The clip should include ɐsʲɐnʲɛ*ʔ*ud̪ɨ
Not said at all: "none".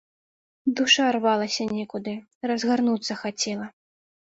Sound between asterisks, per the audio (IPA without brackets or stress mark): k